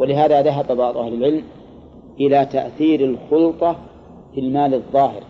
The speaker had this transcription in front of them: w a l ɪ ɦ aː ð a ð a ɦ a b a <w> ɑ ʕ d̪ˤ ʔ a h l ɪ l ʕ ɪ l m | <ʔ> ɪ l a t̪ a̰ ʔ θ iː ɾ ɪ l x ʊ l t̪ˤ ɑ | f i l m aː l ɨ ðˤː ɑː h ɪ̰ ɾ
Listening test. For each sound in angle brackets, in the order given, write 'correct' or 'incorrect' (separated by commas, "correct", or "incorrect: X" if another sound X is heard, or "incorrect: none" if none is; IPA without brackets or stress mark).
incorrect: b, correct